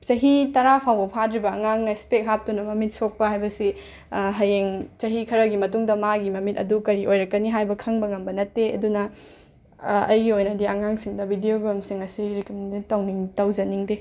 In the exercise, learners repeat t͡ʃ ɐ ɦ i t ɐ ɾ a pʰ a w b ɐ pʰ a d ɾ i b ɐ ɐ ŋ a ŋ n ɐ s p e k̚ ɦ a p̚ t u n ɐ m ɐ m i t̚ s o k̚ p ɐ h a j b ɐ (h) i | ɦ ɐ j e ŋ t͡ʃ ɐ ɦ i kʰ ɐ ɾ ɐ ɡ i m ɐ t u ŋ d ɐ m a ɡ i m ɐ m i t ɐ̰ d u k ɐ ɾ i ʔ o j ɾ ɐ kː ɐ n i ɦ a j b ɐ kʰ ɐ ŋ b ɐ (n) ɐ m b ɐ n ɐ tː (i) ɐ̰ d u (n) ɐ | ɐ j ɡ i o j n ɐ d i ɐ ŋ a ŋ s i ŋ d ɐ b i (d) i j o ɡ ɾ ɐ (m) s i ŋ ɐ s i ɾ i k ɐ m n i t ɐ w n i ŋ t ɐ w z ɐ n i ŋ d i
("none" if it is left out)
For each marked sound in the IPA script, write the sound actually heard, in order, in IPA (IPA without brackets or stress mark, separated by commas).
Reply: s, ŋ, e, n, d, m